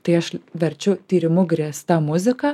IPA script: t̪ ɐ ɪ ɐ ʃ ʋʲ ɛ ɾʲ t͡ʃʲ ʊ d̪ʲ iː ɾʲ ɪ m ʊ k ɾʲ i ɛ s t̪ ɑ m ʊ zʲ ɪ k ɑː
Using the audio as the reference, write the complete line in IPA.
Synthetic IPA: t̪ ɐ ɪ ɐ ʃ ʋʲ ɛ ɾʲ t͡ʃʲ ʊ t̪ʲ iː ɾʲ ɪ m ʊ ɡ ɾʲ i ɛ s t̪ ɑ m ʊ zʲ ɪ k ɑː